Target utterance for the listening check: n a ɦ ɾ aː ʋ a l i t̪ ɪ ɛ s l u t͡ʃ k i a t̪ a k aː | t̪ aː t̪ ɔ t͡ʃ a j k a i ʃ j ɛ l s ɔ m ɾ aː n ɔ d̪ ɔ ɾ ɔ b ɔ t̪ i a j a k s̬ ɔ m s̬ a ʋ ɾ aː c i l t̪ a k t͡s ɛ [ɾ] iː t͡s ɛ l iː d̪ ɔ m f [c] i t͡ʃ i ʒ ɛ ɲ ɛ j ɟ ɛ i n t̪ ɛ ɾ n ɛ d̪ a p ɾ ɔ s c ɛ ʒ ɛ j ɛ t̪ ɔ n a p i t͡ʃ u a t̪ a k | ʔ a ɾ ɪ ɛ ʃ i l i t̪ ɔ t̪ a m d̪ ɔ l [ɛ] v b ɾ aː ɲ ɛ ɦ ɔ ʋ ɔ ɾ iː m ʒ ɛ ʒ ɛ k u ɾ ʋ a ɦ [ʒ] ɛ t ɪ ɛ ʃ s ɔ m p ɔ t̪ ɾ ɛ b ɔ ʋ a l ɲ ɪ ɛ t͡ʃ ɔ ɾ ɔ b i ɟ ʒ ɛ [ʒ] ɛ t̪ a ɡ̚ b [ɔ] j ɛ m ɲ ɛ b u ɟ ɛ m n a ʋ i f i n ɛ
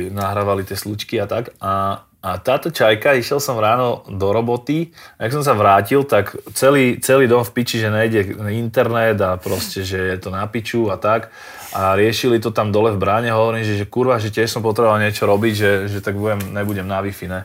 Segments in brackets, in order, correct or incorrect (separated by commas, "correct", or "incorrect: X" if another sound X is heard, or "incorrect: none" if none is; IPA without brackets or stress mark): incorrect: l, incorrect: p, correct, correct, correct, incorrect: u